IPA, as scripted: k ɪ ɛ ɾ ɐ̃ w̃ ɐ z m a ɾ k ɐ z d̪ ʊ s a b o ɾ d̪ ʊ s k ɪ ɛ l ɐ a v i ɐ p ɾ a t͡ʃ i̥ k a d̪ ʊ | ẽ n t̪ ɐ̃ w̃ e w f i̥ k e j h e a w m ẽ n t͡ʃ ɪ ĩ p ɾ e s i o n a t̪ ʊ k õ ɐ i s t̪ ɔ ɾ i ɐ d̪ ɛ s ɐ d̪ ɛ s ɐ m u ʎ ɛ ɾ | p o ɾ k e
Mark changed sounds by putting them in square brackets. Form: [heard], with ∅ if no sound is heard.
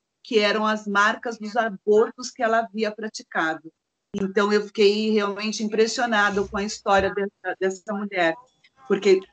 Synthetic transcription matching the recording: k ɪ ɛ ɾ ɐ̃ w̃ ɐ z m a ɾ k ɐ z d̪ ʊ [z] a b o ɾ [t̪] ʊ s k ɪ ɛ l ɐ a v i ɐ p ɾ a t͡ʃ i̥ k a d̪ ʊ | ẽ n t̪ ɐ̃ w̃ e w f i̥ k e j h e a w m ẽ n t͡ʃ ɪ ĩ p ɾ e s i o n a [d̪] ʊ k õ ɐ i s t̪ ɔ ɾ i ɐ d̪ ɛ s ɐ d̪ ɛ s ɐ m u ʎ ɛ ɾ | p o ɾ k e